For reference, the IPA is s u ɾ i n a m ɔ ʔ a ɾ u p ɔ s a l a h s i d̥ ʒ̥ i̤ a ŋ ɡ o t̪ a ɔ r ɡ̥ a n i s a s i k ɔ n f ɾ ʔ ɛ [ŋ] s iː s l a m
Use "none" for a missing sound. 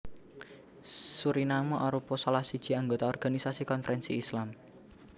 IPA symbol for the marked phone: n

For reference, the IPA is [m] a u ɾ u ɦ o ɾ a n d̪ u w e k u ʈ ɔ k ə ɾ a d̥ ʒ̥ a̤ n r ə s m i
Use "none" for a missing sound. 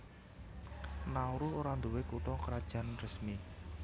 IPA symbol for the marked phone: n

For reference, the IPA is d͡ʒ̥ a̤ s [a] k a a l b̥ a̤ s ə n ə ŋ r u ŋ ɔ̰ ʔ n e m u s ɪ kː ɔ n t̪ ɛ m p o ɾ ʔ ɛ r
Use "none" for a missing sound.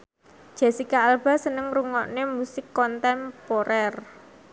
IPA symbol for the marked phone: i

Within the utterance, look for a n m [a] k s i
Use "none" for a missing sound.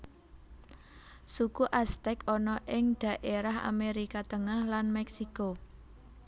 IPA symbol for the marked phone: ɛ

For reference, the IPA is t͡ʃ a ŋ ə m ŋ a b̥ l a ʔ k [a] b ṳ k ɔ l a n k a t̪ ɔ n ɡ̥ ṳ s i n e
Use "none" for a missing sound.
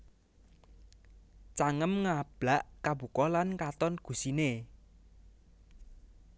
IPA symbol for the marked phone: a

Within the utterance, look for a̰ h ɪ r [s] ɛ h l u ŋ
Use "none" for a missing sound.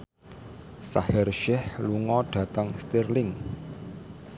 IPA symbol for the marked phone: ʃ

